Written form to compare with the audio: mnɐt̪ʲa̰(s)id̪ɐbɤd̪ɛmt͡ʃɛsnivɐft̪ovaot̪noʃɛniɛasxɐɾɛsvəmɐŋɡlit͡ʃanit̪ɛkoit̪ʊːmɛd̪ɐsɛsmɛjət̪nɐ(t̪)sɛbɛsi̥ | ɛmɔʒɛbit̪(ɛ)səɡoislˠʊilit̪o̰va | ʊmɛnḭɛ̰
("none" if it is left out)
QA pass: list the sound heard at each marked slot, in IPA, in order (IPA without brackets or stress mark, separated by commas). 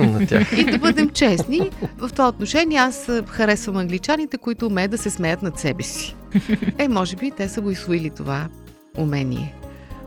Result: x, t̪, ɛ